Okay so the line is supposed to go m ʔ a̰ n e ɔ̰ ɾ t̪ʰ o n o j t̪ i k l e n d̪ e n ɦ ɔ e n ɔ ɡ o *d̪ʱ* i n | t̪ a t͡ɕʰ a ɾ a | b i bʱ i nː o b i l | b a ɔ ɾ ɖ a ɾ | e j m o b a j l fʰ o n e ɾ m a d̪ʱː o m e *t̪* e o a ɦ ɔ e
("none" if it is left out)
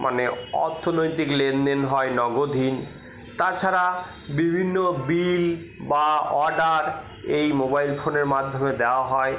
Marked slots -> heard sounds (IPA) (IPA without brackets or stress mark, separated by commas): d̪ʱ, d̪